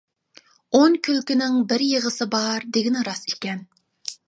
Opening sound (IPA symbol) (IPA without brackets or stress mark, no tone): o